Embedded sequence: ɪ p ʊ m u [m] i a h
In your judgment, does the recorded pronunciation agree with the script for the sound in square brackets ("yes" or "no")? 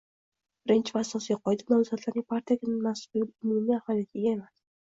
yes